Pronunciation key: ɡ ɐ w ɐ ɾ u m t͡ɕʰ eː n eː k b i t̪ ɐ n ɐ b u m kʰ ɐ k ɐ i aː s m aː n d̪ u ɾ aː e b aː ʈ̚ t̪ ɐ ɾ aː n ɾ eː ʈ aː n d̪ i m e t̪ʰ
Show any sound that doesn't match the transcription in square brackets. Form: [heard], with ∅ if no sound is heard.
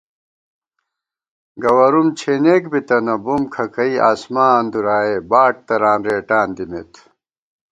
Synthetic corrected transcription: ɡ ɐ w ɐ ɾ u m t͡ɕʰ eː n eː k b i t̪ ɐ n ɐ b u m kʰ ɐ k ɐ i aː s m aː n d̪ u ɾ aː e b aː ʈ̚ t̪ ɐ ɾ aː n ɾ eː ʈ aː n d̪ i m e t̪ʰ